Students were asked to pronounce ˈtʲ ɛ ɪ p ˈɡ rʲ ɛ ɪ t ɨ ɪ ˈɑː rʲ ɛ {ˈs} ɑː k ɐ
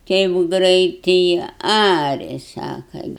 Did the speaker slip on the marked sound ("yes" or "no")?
no